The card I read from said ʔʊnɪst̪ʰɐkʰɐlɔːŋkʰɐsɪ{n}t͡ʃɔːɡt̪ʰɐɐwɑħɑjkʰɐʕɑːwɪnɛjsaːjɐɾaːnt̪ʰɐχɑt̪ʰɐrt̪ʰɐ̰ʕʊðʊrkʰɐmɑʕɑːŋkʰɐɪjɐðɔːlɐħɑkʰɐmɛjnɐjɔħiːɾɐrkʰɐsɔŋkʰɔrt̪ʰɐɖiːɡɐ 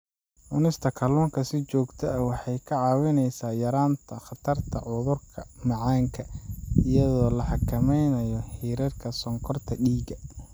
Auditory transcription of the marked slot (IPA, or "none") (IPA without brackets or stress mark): none